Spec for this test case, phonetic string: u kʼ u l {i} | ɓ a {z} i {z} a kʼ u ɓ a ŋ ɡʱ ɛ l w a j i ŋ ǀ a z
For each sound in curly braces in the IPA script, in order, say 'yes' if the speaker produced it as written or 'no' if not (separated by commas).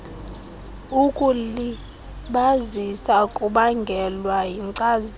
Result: yes, yes, no